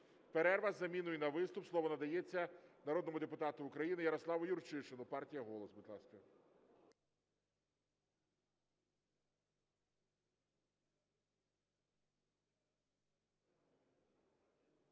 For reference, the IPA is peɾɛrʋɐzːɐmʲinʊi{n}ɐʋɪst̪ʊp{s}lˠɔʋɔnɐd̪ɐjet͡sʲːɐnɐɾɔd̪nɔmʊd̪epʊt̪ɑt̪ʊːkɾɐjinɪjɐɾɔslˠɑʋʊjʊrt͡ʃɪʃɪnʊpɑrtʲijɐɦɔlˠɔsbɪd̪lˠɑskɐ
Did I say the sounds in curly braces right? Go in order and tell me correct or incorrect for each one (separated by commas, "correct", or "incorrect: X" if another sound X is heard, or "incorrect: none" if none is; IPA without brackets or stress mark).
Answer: correct, correct